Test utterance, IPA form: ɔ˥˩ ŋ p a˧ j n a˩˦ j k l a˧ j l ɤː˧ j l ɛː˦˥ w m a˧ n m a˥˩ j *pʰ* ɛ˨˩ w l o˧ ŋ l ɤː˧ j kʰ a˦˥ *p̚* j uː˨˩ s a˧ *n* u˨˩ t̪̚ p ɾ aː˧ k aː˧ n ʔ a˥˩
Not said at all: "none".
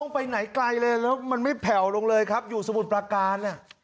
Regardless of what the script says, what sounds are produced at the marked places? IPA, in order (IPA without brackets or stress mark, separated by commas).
pʰ, p̚, m